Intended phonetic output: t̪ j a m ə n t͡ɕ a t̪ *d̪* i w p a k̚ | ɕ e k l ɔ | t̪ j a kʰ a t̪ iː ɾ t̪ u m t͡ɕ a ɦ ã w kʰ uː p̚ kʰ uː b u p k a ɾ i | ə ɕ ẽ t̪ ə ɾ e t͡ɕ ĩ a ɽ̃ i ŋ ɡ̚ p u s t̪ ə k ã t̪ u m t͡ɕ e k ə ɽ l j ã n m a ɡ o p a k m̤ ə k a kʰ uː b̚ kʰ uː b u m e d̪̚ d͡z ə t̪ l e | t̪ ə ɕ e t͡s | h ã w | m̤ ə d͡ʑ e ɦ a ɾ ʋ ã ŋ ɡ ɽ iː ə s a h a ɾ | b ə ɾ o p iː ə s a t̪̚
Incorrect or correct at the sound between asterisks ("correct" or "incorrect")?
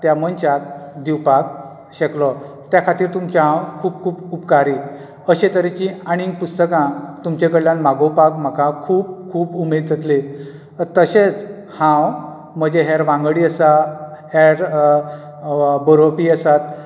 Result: correct